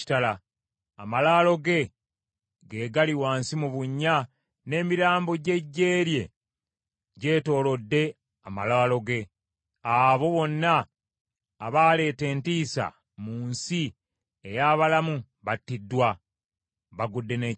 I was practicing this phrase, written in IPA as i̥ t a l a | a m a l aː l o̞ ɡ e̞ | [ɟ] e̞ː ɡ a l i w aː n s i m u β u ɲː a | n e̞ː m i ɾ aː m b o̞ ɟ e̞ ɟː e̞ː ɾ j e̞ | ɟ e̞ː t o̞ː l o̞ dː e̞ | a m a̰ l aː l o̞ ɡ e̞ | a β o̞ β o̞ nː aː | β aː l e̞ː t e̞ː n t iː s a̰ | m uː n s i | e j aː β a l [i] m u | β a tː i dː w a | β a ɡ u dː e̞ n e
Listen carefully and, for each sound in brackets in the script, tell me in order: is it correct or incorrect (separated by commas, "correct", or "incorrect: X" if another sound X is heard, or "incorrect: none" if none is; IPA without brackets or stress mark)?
incorrect: ɡ, incorrect: a